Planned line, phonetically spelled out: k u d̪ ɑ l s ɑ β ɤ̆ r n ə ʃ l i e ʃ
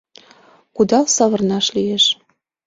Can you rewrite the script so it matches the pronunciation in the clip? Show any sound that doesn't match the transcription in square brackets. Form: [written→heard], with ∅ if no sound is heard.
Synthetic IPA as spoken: k u d̪ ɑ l s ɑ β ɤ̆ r n [ə→ɑ] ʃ l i e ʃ